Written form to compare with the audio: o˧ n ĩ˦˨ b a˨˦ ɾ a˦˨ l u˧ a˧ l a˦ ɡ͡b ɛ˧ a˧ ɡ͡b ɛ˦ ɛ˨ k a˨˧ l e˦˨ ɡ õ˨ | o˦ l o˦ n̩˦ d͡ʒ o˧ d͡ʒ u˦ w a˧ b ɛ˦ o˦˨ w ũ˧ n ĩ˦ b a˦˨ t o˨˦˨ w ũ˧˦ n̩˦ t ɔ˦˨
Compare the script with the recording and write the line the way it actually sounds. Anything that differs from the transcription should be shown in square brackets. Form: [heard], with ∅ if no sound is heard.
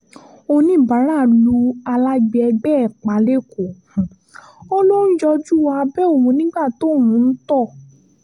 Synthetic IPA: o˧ n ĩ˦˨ b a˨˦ ɾ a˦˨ l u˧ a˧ l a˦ ɡ͡b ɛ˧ [ɛ˧] ɡ͡b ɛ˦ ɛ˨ [k͡p] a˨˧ l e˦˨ [k] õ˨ | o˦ l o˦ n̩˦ d͡ʒ [ɔ˧] d͡ʒ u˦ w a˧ b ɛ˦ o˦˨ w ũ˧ n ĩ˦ [ɡ͡b] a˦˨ t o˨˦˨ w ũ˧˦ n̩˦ t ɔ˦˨